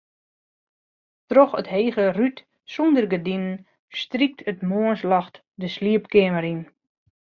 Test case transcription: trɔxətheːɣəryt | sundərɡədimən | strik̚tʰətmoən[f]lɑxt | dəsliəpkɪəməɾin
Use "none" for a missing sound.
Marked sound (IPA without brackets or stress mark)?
s